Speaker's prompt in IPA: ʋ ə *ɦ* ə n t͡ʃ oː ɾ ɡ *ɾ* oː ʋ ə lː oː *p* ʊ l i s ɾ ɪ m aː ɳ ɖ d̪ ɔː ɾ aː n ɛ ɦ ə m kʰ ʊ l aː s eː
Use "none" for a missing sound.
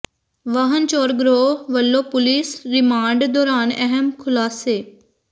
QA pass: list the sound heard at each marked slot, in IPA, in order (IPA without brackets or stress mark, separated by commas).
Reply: ɦ, ɾ, p